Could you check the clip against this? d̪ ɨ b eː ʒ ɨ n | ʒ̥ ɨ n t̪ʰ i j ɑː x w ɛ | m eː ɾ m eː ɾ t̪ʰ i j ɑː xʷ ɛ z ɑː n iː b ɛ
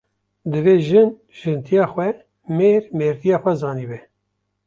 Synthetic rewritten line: d̪ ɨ v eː ʒ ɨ n | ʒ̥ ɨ n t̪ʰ i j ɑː x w ɛ | m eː ɾ m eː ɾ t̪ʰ i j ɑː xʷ ɛ z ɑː n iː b ɛ